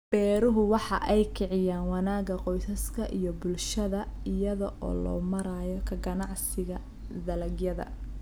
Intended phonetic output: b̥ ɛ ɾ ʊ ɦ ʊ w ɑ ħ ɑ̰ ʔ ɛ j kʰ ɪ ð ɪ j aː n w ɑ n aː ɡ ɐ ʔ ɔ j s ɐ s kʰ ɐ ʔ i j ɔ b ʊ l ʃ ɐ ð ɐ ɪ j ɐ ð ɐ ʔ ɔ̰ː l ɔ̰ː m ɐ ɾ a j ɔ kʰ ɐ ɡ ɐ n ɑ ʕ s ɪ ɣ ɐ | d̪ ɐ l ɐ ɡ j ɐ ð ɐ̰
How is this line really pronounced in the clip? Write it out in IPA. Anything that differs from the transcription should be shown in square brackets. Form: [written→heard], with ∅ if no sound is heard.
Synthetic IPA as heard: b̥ [ɛ→ɛː] ɾ ʊ ɦ ʊ w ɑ ħ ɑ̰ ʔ ɛ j kʰ ɪ [ð→ʕ] ɪ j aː n w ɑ n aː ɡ ɐ [ʔ→q] ɔ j s ɐ s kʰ ɐ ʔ i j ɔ b ʊ l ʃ ɐ ð ɐ ɪ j ɐ ð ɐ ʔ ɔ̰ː l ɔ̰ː m ɐ ɾ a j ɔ kʰ ɐ ɡ ɐ n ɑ ʕ s ɪ ɣ ɐ | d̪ ɐ l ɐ ɡ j ɐ ð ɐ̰